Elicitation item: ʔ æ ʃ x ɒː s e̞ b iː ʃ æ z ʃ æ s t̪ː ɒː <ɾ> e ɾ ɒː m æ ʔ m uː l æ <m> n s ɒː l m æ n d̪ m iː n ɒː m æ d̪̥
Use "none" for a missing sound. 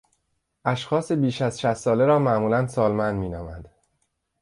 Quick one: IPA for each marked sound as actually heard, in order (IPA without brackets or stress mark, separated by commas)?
l, none